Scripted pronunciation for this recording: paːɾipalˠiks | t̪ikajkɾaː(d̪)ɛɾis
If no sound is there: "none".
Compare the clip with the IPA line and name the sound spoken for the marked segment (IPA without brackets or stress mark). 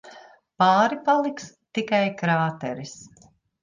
t̪